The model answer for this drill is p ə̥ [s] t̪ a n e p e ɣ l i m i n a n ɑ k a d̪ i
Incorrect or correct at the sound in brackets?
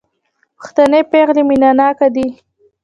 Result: incorrect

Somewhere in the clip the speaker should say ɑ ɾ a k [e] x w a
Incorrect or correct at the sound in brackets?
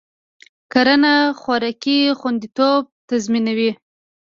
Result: incorrect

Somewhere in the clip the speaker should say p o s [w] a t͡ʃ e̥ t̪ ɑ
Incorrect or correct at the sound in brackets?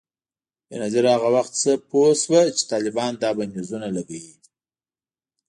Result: correct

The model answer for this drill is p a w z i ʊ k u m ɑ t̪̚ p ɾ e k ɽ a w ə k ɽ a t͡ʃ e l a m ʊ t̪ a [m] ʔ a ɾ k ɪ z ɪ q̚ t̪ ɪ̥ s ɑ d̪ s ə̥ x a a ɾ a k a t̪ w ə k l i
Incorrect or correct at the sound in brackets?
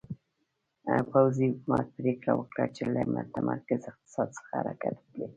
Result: correct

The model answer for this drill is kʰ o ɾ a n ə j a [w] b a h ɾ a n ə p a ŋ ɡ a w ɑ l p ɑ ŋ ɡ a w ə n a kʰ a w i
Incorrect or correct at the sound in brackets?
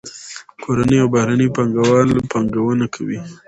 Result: correct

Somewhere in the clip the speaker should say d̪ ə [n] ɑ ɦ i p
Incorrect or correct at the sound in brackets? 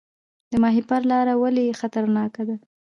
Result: incorrect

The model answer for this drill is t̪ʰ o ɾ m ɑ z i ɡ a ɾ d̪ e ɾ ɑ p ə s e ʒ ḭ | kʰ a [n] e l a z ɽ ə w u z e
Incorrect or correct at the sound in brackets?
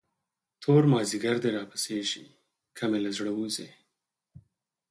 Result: incorrect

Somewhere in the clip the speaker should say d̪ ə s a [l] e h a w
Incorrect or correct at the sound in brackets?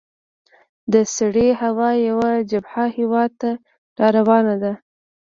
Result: incorrect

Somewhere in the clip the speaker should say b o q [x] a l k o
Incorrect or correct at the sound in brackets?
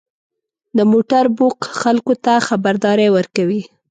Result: correct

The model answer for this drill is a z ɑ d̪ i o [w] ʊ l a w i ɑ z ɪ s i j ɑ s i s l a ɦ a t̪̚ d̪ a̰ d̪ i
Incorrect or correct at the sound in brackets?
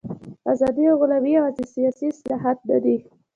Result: incorrect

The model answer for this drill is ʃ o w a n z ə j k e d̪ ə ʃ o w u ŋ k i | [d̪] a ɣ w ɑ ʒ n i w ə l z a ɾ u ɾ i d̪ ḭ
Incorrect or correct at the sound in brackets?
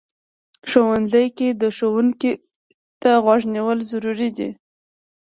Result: incorrect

